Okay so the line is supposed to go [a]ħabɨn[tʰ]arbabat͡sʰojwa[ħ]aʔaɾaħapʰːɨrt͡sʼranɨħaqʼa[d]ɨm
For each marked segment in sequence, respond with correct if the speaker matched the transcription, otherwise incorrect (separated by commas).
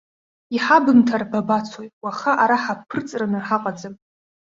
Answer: incorrect, correct, incorrect, incorrect